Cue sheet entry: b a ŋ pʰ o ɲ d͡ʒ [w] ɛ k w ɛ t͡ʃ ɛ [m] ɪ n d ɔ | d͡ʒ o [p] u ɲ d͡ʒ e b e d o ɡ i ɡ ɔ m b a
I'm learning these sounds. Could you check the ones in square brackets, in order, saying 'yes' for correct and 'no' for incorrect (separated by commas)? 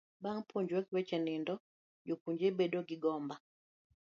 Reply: yes, no, no